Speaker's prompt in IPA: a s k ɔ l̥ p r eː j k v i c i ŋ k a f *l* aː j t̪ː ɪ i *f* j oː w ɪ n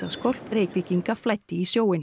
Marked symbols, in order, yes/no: yes, no

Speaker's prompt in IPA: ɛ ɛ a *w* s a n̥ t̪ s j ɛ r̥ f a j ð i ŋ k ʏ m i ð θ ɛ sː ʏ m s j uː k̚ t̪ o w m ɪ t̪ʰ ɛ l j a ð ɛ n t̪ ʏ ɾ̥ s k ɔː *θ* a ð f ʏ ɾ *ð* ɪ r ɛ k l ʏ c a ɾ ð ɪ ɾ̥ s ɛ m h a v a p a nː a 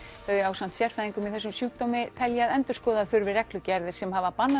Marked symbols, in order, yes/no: yes, no, no

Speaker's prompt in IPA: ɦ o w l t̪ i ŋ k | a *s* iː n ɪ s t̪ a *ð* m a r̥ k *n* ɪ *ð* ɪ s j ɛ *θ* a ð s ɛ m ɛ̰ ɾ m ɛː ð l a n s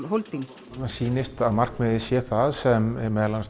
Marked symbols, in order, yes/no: yes, yes, no, yes, yes

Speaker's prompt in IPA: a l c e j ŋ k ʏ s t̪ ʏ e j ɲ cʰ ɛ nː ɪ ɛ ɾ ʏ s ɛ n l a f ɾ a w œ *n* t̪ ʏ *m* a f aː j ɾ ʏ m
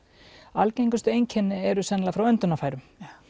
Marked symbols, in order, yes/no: yes, no

